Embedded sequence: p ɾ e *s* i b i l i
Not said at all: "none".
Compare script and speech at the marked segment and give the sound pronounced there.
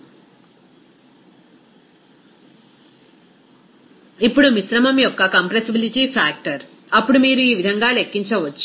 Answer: s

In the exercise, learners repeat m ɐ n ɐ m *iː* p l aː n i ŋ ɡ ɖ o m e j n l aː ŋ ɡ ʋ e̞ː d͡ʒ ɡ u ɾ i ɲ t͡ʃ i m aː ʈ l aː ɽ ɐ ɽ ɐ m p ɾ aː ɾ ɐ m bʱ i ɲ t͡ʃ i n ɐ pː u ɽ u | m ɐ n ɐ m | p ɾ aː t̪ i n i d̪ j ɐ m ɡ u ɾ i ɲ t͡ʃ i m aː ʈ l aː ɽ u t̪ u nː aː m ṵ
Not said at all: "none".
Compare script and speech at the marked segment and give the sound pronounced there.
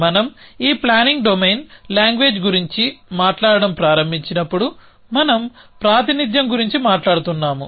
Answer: iː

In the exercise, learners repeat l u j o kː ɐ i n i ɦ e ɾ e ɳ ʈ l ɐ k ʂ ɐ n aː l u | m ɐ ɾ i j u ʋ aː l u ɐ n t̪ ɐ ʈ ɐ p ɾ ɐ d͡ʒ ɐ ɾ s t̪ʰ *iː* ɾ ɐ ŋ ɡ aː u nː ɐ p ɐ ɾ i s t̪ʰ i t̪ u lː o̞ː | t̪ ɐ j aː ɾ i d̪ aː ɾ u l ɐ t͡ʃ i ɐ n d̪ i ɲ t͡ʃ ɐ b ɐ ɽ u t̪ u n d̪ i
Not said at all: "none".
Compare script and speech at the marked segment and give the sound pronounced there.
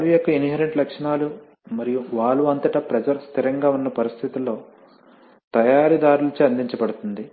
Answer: i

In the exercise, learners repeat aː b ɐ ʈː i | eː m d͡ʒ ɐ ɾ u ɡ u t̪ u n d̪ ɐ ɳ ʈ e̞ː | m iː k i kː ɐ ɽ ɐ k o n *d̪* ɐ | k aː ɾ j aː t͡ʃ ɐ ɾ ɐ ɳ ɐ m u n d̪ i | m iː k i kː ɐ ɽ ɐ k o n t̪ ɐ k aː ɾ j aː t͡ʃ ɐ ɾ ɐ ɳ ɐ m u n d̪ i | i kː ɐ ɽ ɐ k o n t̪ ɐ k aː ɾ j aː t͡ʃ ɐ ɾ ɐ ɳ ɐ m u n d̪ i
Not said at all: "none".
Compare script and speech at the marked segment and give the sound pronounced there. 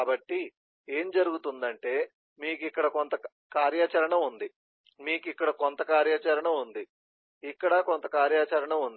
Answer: t̪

